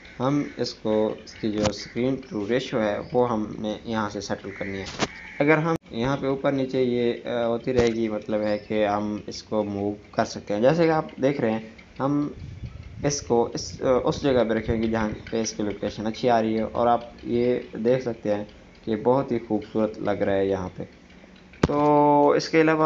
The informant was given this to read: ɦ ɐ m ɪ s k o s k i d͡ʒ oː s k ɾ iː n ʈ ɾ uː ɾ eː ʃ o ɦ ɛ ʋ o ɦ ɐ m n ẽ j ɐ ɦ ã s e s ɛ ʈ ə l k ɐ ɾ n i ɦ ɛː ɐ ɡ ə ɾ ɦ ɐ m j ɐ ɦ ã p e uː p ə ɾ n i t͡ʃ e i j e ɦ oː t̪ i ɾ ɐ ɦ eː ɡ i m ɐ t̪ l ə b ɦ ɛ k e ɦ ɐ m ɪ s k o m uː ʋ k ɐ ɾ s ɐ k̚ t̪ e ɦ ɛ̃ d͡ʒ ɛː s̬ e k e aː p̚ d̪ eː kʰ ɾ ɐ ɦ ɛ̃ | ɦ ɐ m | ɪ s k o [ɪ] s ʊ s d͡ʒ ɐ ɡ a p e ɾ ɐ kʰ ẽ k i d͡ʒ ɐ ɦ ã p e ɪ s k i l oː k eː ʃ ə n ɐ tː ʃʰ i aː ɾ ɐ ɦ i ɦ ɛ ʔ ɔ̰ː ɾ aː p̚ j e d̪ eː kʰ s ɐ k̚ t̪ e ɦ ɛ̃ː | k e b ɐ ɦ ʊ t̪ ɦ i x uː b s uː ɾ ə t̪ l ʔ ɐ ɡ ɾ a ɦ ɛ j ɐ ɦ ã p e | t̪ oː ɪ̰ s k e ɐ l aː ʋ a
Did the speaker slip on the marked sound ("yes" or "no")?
no